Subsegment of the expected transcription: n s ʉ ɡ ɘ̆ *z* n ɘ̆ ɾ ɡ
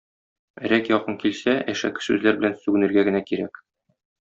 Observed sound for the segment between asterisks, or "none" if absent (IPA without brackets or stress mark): none